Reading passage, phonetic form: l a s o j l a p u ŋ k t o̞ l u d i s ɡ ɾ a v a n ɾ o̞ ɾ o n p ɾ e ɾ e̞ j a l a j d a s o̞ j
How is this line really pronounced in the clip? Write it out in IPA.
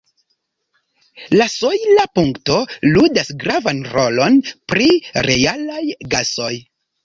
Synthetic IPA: l a s o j l a p u ŋ k t o̞ l u d a s ɡ ɾ a v a n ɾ o̞ l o n p ɾ i ɾ e̞ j a l a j ɡ a s o̞ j